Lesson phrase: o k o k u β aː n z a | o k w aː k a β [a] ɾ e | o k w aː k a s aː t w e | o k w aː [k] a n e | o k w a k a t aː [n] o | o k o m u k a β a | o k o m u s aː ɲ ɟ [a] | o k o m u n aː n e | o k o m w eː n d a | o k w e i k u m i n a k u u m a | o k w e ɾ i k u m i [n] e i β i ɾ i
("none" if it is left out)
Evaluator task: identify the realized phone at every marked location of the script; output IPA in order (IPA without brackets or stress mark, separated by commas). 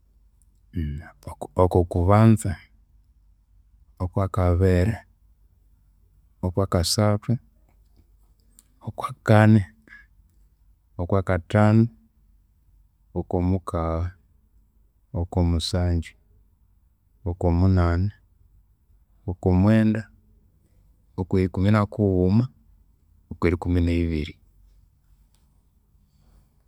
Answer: e, k, n, i, n